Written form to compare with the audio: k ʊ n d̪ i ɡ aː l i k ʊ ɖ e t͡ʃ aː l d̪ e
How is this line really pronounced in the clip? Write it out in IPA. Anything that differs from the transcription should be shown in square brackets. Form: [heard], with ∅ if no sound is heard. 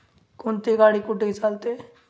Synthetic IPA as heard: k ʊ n [t̪] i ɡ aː [ɽ] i k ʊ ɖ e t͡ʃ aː l [t̪] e